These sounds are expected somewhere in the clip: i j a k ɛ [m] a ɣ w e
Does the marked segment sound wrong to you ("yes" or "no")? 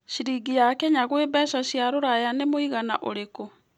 yes